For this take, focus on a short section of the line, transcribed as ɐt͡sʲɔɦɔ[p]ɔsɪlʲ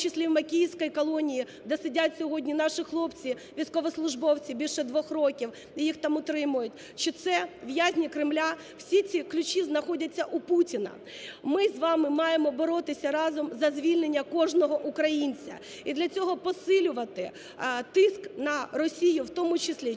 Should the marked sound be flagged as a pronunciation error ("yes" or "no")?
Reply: no